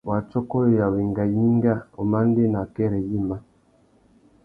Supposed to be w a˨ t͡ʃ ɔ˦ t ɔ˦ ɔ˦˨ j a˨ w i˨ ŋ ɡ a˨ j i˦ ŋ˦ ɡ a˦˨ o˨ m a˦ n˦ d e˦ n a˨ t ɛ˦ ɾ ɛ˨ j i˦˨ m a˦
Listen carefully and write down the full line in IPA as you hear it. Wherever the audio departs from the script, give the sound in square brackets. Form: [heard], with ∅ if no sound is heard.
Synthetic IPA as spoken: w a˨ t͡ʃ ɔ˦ [k] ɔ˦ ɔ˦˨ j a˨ w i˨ ŋ ɡ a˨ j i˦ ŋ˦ ɡ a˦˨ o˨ m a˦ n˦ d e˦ n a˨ [k] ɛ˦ ɾ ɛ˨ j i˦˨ m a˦